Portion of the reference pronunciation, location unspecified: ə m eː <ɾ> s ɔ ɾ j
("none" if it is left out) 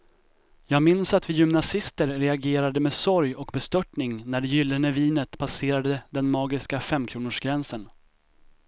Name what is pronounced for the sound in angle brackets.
none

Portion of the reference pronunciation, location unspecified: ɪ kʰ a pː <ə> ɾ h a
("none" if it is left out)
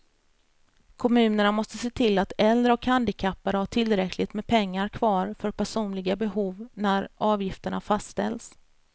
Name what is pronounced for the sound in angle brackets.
a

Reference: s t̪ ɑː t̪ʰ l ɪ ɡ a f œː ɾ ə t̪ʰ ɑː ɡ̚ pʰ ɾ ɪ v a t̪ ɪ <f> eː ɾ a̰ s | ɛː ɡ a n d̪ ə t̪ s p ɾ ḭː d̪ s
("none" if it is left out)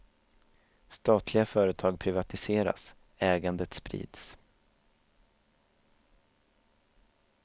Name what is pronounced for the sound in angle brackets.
s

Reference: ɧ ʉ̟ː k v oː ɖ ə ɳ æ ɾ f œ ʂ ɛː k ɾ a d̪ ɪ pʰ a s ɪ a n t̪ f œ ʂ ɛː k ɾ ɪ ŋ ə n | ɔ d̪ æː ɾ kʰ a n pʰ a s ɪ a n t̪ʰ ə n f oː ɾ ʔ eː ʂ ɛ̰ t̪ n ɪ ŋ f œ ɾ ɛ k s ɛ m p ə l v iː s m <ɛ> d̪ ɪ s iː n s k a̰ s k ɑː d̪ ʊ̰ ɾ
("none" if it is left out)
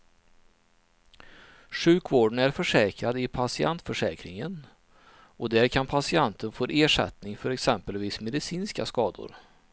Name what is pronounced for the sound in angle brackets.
ɛ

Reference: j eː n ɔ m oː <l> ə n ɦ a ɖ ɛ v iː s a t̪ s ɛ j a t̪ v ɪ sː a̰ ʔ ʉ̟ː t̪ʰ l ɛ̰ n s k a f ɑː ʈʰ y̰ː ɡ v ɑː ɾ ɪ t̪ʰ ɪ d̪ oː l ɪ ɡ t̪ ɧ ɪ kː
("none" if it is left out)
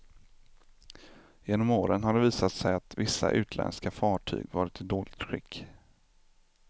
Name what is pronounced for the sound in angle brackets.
ɾ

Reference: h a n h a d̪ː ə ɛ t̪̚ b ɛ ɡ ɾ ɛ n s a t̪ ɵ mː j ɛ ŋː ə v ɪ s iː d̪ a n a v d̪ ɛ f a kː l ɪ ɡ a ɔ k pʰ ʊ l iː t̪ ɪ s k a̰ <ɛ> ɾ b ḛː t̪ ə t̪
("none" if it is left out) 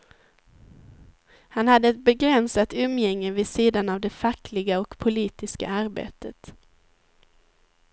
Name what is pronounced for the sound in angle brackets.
a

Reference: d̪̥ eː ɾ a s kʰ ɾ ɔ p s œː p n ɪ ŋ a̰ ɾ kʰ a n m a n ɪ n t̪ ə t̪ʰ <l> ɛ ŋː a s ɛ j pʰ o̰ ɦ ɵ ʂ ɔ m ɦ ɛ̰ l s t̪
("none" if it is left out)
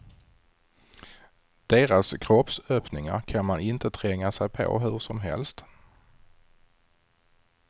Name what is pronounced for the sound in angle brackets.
ɾ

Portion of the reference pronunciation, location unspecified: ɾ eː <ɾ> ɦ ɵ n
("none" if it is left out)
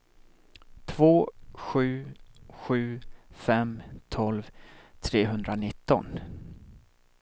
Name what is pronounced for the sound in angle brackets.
none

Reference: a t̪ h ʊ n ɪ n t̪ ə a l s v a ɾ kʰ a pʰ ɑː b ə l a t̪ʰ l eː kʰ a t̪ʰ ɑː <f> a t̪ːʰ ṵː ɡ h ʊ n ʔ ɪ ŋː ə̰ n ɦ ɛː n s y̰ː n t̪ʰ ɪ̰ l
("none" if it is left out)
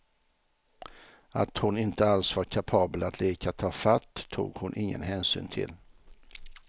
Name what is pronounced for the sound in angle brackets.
f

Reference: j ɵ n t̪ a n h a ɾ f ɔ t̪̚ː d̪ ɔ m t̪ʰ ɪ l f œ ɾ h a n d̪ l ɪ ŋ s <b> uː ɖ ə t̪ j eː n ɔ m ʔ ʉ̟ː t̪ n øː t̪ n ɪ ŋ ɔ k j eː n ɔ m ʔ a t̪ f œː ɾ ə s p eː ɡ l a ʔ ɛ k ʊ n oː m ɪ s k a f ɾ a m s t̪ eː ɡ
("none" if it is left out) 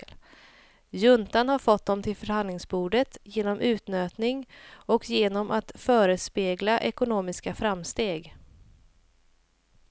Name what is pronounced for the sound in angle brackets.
b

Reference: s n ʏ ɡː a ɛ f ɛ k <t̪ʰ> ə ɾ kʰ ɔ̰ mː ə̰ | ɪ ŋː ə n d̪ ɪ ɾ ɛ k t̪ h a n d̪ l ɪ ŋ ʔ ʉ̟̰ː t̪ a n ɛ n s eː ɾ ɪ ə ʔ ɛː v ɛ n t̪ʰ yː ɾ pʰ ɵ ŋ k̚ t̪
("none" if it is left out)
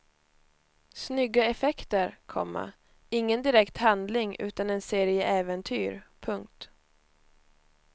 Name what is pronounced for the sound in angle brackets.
t̪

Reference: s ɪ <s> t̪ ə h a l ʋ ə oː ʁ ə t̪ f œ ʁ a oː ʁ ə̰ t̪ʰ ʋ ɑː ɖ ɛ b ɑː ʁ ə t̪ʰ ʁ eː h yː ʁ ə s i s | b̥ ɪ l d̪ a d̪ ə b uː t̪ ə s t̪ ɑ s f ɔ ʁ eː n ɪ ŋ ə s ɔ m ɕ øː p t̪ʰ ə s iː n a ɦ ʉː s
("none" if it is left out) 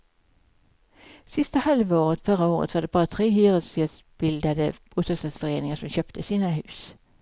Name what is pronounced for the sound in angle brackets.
s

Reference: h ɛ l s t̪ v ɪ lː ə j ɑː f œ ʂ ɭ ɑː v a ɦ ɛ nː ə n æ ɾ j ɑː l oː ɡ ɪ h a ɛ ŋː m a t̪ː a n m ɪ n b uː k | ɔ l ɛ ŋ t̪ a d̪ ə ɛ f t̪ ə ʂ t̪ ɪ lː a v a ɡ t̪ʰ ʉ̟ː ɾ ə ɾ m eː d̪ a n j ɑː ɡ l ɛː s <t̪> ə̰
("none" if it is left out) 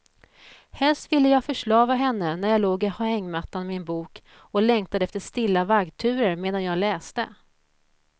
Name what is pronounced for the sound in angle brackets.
t̪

